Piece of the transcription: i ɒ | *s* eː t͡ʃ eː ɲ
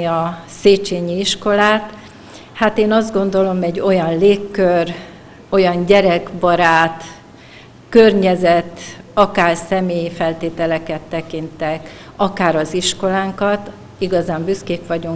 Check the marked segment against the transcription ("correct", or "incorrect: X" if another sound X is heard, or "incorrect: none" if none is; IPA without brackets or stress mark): correct